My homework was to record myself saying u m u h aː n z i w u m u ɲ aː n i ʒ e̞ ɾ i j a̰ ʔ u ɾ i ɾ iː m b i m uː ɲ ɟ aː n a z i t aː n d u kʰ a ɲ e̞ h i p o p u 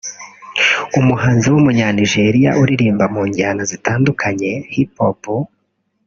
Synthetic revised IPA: u m u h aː n z i w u m u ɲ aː n i ʒ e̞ ɾ i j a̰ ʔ u ɾ i ɾ iː m b a m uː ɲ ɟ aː n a z i t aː n d u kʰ a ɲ e̞ h i p o p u

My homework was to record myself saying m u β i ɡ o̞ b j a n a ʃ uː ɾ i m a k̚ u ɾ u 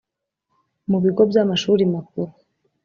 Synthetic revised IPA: m u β i ɡ o̞ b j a m a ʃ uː ɾ i m a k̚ u ɾ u

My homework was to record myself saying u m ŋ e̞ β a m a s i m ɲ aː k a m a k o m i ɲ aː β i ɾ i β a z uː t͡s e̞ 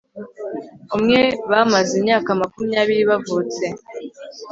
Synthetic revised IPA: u m ŋ e̞ β a m a z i m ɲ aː k a m a k u m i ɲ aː β i ɾ i β a v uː t͡s e̞

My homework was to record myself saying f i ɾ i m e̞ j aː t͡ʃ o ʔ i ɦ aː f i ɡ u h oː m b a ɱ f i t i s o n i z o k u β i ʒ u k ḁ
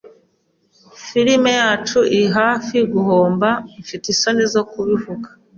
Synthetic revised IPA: f i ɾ i m e̞ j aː t͡ʃ u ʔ i ɦ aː f i ɡ u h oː m b a ɱ f i t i s o n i z o k u β i v u ɡ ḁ

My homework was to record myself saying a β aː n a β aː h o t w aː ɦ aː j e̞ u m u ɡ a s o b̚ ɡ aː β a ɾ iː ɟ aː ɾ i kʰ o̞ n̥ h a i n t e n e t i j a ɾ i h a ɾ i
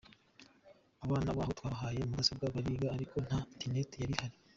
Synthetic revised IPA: a β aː n a β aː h o t w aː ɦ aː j e̞ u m u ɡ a s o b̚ ɡ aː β a ɾ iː ɡ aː ɾ i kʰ o̞ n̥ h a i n t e n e t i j a ɾ i h a ɾ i

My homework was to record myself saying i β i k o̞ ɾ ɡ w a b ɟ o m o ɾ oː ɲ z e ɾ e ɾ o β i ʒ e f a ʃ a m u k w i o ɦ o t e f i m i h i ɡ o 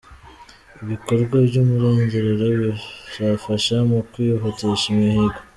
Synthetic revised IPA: i β i k o̞ ɾ ɡ w a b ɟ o m u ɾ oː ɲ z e ɾ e ɾ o β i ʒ a f a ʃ a m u k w i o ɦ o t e ʃ i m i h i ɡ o

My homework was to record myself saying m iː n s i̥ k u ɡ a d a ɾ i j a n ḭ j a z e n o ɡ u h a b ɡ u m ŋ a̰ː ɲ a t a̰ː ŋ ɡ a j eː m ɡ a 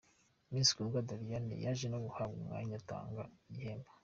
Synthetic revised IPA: m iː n s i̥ k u ɡ a d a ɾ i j a n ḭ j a ʒ e n o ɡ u h a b ɡ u m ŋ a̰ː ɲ a t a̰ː ŋ ɡ a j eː m b a

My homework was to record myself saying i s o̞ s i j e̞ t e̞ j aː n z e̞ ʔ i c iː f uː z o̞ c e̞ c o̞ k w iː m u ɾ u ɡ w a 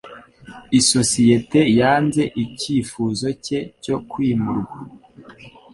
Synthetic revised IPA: i s o̞ s i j e̞ t e̞ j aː n z e̞ ʔ i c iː f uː z o̞ c e̞ c o̞ k w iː m u ɾ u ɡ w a

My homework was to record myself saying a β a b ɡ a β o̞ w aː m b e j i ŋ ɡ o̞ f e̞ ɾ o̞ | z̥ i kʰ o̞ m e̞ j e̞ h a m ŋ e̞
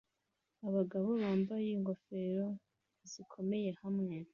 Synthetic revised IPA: a β a ɡ a β o̞ β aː m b a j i ŋ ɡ o̞ f e̞ ɾ o̞ | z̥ i kʰ o̞ m e̞ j e̞ h a m ŋ e̞

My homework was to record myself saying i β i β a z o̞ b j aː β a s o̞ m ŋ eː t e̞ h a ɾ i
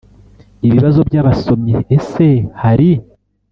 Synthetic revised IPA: i β i β a z o̞ b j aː β a s o̞ m ɲ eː s e̞ h a ɾ i

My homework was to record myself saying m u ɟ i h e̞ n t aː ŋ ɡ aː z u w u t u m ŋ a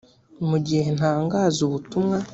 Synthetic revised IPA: m u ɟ i h e̞ n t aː ŋ ɡ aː z u β u t u m ŋ a

